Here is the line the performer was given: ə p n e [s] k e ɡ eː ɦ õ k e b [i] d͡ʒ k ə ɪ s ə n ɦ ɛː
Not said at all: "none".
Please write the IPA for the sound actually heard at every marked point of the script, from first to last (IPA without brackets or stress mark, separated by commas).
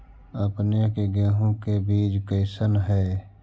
none, iː